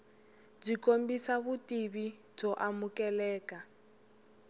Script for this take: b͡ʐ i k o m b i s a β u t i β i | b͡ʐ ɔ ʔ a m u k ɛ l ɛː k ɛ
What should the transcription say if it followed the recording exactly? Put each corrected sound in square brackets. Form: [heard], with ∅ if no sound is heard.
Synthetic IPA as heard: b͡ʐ i k o m b i s a β u t i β i | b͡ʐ ɔ ʔ a m u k ɛ l ɛː k [a]

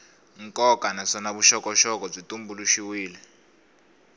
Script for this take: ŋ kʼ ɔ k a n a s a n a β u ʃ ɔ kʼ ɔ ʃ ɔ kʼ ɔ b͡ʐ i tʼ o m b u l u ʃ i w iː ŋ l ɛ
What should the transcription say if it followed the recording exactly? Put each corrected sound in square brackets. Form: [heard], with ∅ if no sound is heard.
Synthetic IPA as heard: ŋ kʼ ɔ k a n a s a n a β u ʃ ɔ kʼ ɔ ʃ ɔ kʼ ɔ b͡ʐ i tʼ [u] m b u l u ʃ i w iː [∅] l ɛ

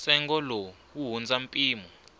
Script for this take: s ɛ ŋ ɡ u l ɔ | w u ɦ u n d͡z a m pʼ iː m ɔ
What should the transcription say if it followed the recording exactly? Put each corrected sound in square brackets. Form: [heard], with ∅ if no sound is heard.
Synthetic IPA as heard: s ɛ ŋ ɡ [ɔ] l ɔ | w u ɦ u n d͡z a m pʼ iː m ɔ

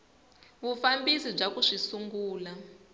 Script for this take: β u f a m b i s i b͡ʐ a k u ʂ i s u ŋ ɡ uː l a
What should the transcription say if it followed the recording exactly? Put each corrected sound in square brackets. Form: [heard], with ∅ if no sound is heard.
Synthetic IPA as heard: β u f a m b i s i b͡ʐ a k u ʂ i s u ŋ ɡ uː l a

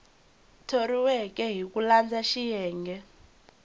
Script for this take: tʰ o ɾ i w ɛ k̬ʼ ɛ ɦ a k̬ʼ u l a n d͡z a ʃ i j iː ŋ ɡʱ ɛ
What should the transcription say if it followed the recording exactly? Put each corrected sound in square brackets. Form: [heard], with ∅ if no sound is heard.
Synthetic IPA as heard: tʰ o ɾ i w ɛ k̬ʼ ɛ ɦ [i] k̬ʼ u l a n d͡z a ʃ i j [ɛː] ŋ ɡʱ ɛ

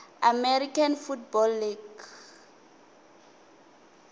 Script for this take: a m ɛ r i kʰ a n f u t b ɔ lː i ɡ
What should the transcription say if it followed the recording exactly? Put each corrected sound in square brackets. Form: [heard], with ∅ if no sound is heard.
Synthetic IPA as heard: a m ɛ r i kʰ a n f u t b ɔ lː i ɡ

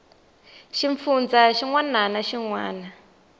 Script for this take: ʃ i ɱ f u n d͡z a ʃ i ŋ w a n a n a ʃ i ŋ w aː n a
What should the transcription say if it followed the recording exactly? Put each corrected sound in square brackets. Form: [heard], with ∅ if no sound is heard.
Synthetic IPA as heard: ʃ i ɱ f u n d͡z a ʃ i ŋ w a n a n a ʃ i ŋ w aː n a

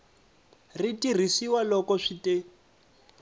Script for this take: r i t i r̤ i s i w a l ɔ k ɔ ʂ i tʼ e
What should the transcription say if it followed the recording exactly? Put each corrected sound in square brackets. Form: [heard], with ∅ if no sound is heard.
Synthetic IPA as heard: r i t i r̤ i s i w a l ɔ k ɔ ʂ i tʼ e

